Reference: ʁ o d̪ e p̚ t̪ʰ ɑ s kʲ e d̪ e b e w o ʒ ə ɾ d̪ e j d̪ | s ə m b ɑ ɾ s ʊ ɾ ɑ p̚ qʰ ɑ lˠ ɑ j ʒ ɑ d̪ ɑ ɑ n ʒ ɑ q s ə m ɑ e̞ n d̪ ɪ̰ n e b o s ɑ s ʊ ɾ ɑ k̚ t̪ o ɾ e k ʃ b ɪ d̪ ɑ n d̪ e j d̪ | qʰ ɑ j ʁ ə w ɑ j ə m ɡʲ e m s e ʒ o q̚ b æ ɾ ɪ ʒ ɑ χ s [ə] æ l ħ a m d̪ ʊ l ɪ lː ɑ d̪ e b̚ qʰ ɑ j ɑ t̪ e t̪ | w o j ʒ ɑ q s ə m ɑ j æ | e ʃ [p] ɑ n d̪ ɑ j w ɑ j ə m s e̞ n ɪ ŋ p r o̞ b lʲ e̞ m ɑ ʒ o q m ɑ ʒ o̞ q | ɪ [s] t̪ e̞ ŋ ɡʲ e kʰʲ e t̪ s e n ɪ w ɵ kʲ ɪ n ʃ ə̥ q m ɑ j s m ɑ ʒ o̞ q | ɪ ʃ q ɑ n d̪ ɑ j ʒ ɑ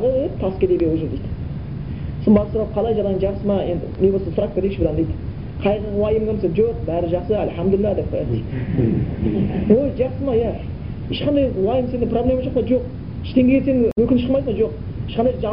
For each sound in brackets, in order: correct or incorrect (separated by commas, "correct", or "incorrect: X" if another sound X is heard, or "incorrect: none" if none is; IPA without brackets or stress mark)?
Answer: correct, incorrect: q, incorrect: ʃ